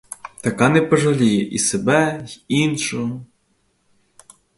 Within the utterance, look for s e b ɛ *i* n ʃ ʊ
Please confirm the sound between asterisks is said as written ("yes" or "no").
yes